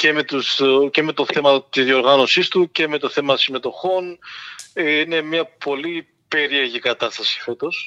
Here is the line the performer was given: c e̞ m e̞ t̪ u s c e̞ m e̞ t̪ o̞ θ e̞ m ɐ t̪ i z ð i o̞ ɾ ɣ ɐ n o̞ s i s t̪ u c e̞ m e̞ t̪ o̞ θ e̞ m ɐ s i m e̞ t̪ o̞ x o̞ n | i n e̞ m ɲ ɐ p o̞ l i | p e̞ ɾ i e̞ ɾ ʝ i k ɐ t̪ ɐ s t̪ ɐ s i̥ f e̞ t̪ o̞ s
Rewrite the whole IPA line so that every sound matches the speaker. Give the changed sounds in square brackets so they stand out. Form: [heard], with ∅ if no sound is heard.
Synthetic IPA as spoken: c e̞ m e̞ t̪ u s c e̞ m e̞ t̪ o̞ θ e̞ m ɐ t̪ i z ð i o̞ ɾ ɣ ɐ n o̞ s i s t̪ u c e̞ m e̞ t̪ o̞ θ e̞ m ɐ s i m e̞ t̪ o̞ x o̞ n | i n e̞ m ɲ ɐ p o̞ l i | p e̞ ɾ i e̞ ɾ ʝ i k ɐ t̪ ɐ s t̪ ɐ s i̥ f e̞ t̪ o̞ s